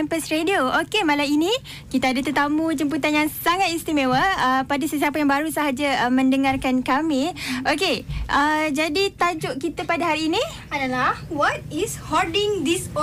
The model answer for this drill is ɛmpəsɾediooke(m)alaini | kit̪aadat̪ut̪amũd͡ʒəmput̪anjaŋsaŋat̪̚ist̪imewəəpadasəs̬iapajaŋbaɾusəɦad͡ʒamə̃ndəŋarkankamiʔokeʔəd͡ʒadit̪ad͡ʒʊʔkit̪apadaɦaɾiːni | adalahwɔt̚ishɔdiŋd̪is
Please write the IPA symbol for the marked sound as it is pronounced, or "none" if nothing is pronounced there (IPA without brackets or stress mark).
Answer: m